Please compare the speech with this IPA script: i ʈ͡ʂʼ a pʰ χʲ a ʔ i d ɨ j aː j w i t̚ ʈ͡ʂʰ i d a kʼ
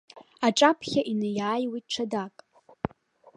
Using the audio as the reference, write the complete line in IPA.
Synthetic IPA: a ʈ͡ʂʼ a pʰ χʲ a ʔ i n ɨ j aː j w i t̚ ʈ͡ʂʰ a d a kʼ

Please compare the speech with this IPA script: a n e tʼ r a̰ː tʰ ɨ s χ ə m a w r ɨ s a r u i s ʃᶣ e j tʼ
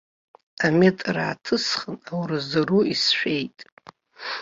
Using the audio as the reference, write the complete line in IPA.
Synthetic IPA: a m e tʼ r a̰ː tʰ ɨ s χ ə n a w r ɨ z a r u i s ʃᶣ e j tʼ

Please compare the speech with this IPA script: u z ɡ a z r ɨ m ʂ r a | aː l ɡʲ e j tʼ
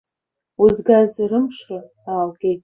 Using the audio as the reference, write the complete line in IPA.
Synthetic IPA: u z ɡ a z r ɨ m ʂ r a | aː l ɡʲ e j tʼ

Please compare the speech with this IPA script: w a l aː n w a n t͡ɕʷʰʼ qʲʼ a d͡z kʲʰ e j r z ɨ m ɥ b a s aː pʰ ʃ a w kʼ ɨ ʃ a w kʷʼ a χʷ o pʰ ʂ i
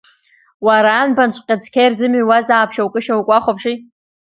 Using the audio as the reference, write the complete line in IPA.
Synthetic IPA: w a ɾ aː n b a n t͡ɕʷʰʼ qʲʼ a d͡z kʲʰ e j r z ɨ m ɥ w a z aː pʰ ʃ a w kʼ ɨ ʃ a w kʷʼ a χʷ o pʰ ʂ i

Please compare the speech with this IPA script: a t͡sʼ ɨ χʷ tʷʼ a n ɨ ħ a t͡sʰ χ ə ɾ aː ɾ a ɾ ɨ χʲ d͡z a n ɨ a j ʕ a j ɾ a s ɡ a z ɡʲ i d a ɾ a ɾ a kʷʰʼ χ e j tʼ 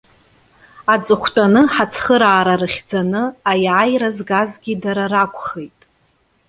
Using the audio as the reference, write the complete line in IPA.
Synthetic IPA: a t͡sʼ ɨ χʷ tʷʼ a n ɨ ħ a t͡sʰ χ ə ɾ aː ɾ a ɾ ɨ χʲ d͡z a n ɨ a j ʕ a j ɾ a z ɡ a z ɡʲ i d a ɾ a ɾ a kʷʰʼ χ e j tʼ

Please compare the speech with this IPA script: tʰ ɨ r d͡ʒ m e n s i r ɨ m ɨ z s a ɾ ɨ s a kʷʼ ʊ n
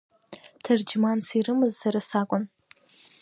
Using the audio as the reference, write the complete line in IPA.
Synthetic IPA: tʰ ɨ r d͡ʒ m a n s i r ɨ m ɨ z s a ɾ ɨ s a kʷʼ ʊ n

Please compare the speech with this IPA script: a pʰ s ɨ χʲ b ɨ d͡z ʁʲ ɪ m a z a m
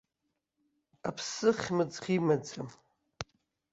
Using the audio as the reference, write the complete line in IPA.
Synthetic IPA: a pʰ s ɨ χʲ m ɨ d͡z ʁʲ i m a d͡z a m

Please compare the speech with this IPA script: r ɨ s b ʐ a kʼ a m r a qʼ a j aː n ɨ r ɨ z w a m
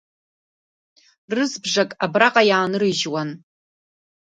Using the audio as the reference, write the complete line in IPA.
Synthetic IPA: r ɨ z b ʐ a kʼ a b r a qʼ a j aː n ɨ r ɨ ʒ w a n

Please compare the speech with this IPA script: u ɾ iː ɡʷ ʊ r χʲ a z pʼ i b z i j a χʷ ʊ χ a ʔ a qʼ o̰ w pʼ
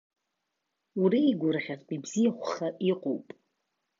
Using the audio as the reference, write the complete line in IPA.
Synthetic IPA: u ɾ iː ɡʷ ʊ r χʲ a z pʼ i b z i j a χʷ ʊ χ a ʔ i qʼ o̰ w pʼ

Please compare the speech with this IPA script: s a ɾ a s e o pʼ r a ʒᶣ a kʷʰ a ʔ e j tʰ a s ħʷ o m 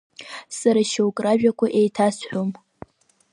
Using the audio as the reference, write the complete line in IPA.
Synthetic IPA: s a ɾ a ʃ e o kʼ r a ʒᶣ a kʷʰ a ʔ e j tʰ a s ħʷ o m

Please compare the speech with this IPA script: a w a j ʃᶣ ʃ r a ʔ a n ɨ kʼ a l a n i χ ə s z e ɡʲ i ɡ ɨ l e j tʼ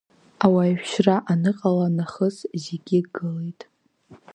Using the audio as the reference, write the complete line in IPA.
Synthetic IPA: a w a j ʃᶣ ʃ r a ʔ a n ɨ qʼ a l a n a χ ə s z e ɡʲ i ɡ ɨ l e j tʼ

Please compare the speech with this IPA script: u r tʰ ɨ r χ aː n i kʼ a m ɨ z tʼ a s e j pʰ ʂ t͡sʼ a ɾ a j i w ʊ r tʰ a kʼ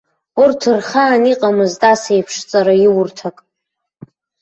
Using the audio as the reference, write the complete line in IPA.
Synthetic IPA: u r tʰ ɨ r χ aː n i qʼ a m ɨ z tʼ a s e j pʰ ʂ t͡sʼ a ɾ a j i w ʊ r tʰ a kʼ

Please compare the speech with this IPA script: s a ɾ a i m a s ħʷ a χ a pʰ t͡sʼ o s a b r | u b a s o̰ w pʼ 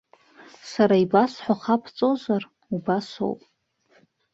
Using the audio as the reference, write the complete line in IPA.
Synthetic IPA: s a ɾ a i b a s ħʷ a χ a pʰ t͡sʼ o z a r | u b a s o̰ w pʼ

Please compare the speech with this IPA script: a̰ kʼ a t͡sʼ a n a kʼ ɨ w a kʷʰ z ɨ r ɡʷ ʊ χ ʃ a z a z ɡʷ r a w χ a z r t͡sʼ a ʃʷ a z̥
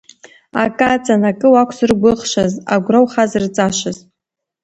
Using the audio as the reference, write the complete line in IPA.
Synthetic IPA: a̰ kʼ a t͡sʼ a n a kʼ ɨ w a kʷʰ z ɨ r ɡʷ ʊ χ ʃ a z a ɡʷ r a w χ a z r t͡sʼ a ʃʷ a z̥

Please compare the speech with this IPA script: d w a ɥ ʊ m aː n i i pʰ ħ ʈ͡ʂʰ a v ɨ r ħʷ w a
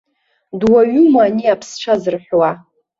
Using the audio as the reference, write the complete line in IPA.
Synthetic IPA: d w a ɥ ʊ m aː n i a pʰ s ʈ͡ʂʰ a z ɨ r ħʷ w a

